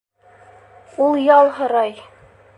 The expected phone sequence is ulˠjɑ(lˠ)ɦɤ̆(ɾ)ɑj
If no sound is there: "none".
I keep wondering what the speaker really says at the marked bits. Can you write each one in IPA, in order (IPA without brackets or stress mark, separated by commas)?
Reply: lˠ, ɾ